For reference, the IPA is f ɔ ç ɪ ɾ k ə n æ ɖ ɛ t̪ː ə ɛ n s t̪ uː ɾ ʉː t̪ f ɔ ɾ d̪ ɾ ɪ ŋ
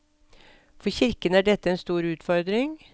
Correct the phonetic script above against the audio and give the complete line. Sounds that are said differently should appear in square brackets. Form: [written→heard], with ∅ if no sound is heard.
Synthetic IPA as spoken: f ɔ ç ɪ ɾ k ə n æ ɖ ɛ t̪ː ə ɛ n s t̪ uː ɾ ʉː t̪ f ɔ ɾ d̪ ɾ ɪ ŋ

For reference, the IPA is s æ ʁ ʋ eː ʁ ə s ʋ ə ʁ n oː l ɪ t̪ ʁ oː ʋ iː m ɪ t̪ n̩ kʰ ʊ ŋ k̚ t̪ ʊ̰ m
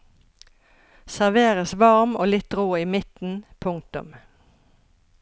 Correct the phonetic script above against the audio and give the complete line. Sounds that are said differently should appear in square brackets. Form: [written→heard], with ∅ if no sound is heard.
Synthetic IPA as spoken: s æ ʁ ʋ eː ʁ ə s ʋ [ə→ɑ] ʁ [n→m] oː l ɪ t̪ ʁ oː [ʋ→∅] iː m ɪ t̪ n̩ [kʰ→pʰ] ʊ ŋ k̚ t̪ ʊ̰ m

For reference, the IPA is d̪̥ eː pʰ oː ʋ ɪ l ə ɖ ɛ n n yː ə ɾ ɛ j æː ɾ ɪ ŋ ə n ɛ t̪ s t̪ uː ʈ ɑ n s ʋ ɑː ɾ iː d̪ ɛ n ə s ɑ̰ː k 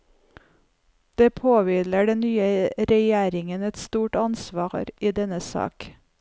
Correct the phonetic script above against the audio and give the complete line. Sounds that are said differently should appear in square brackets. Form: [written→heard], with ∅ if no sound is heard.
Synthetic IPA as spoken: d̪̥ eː pʰ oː ʋ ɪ l ə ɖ ɛ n n yː ə ɾ ɛ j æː ɾ ɪ ŋ ə n ɛ t̪ s t̪ uː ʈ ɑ n s ʋ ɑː ɾ iː d̪ ɛ n ə s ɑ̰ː k

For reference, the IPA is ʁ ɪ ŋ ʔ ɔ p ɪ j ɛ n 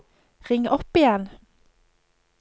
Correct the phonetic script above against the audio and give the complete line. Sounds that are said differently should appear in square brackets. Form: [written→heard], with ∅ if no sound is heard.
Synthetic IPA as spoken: ʁ ɪ ŋ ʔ ɔ p ɪ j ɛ n

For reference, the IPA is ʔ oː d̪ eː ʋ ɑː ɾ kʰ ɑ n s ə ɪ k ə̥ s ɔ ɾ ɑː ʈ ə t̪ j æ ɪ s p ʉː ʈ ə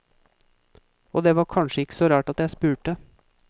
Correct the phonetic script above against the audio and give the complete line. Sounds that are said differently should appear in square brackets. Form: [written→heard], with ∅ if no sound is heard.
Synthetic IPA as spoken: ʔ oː d̪ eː ʋ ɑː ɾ kʰ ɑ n [s→ʃ] ə ɪ k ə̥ s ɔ ɾ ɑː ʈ [ə→ɑ] t̪ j æ ɪ s p ʉː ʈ ə

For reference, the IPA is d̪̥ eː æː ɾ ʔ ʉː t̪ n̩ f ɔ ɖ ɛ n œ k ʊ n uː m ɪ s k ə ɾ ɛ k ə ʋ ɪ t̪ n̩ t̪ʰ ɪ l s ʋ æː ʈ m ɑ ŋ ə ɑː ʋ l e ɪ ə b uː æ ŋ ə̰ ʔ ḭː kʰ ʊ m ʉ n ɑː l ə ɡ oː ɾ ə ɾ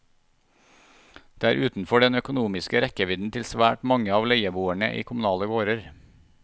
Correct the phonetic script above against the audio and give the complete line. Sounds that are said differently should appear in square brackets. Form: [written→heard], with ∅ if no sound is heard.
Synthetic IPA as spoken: d̪̥ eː æː ɾ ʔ ʉː t̪ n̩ f ɔ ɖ ɛ n œ k ʊ n uː m ɪ s k ə ɾ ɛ k ə ʋ ɪ [t̪→d̪] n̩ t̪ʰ ɪ l s ʋ æː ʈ m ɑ ŋ ə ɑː ʋ l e ɪ ə b uː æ [ŋ→ɳ] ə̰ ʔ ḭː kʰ ʊ m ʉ n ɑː l ə ɡ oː ɾ ə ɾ

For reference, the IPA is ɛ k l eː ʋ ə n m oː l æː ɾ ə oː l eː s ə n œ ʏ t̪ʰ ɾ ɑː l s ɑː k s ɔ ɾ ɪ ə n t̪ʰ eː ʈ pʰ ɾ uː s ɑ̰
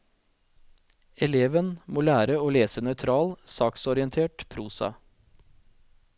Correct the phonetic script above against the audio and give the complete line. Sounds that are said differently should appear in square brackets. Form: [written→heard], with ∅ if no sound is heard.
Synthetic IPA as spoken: ɛ [k→∅] l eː ʋ ə n m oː l æː ɾ ə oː l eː s ə n œ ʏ t̪ʰ ɾ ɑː l s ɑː k s ɔ ɾ ɪ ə n t̪ʰ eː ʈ pʰ ɾ uː s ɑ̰

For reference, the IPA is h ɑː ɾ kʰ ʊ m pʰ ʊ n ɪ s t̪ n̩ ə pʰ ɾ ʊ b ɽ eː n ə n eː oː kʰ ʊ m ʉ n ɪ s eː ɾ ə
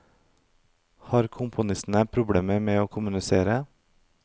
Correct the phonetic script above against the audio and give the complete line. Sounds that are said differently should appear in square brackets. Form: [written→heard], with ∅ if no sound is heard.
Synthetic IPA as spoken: h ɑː ɾ kʰ ʊ m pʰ ʊ n ɪ s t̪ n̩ ə pʰ ɾ ʊ b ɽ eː [n→m] ə [n→m] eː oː kʰ ʊ m ʉ n ɪ s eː ɾ ə

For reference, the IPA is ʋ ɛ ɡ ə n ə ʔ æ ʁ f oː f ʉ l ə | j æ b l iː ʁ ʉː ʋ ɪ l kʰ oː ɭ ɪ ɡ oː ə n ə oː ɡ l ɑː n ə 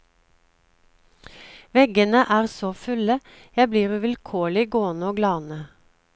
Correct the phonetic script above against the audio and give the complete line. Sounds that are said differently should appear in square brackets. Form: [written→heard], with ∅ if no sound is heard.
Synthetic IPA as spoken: ʋ ɛ ɡ ə n ə ʔ [æ→æː] ʁ [f→s] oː f ʉ l ə | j æ b l iː ʁ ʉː ʋ ɪ l kʰ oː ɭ ɪ ɡ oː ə n ə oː ɡ l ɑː n ə

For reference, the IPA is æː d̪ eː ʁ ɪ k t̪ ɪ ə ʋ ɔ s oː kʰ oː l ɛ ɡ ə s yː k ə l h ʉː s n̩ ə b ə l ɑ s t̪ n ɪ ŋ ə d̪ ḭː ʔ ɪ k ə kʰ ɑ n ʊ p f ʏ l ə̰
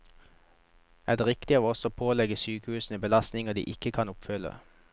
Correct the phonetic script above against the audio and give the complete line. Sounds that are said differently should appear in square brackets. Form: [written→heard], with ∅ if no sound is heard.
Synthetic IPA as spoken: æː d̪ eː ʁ ɪ k t̪ ɪ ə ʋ ɔ s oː [kʰ→pʰ] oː l ɛ ɡ ə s yː k ə [l→∅] h ʉː s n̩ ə b ə l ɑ s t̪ n ɪ ŋ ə d̪ ḭː ʔ ɪ k ə kʰ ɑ n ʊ p f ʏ l ə̰

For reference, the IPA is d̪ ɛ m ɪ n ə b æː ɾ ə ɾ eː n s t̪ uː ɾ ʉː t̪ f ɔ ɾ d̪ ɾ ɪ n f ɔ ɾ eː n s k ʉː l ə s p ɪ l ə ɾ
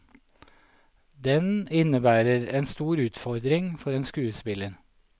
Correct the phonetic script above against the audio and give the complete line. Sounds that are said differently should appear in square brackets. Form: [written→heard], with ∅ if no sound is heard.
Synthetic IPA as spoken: d̪ ɛ [m→n] ɪ n ə b æː ɾ ə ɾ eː n s t̪ uː ɾ ʉː t̪ f ɔ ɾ d̪ ɾ ɪ [n→ŋ] f ɔ ɾ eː n s k ʉː [l→∅] ə s p ɪ l ə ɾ

